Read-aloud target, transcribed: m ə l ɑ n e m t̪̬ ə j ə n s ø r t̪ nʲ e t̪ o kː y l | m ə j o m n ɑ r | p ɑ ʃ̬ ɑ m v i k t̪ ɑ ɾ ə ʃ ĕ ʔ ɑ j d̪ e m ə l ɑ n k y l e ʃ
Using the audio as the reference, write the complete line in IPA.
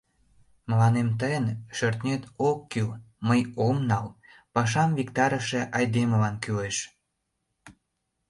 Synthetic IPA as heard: m ə l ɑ n e m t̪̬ ə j ə n ʃ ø r t̪ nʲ e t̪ o kː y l | m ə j o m n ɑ l | p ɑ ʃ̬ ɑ m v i k t̪ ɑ ɾ ə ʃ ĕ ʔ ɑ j d̪ e m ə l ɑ n k y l e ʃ